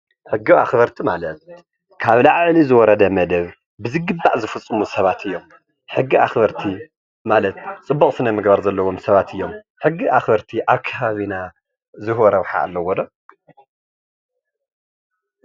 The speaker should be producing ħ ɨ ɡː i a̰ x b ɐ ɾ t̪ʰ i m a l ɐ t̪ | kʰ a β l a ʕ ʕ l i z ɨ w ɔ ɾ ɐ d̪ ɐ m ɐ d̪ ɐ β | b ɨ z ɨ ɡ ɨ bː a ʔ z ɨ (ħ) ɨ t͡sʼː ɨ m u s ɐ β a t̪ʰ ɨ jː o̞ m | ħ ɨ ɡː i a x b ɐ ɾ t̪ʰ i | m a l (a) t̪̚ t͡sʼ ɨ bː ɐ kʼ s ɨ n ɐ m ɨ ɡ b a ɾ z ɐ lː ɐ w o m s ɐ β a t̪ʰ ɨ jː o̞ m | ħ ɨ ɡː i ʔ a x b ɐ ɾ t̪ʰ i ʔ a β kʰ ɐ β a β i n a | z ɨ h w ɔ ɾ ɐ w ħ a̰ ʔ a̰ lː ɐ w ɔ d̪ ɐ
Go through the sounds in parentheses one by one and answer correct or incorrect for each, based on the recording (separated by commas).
incorrect, incorrect